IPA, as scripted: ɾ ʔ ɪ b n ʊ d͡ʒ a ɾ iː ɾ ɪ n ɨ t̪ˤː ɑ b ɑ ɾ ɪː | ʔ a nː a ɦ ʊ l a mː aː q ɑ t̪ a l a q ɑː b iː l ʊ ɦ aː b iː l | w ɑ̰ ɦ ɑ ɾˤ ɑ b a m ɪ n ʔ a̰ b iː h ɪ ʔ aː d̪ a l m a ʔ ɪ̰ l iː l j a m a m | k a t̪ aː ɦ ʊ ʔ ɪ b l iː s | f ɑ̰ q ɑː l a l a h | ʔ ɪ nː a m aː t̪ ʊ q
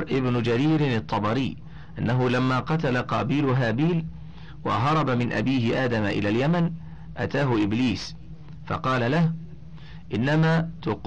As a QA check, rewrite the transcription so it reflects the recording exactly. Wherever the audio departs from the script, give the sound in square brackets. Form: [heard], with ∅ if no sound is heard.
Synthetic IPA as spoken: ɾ ʔ ɪ b n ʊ d͡ʒ a ɾ iː ɾ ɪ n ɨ t̪ˤː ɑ b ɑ ɾ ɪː | ʔ a nː a ɦ ʊ l a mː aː q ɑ t̪ a l a q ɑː b iː l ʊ ɦ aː b iː l | w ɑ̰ ɦ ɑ ɾˤ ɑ b a m ɪ n ʔ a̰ b iː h ɪ ʔ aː d̪ a [∅] m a ʔ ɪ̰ l [aː] l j a m a [n] | [ʔ] a t̪ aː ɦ ʊ ʔ ɪ b l iː s | f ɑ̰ q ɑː l a l a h | ʔ ɪ nː a m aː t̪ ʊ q